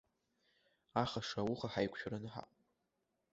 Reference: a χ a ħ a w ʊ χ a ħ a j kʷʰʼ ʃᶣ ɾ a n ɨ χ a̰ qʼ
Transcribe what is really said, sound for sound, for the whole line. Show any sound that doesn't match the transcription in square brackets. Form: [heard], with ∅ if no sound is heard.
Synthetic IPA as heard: a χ a [ʂ] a w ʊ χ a ħ a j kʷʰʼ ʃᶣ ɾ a n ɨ [ħ] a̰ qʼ

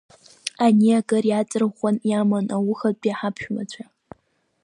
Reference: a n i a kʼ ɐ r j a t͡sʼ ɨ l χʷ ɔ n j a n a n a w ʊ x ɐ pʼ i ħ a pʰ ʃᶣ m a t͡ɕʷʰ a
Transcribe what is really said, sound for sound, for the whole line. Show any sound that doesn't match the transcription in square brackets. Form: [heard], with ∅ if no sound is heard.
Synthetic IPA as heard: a n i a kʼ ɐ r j a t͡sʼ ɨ [r] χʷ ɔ n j a [m] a n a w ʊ x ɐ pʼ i ħ a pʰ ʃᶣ m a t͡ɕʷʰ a

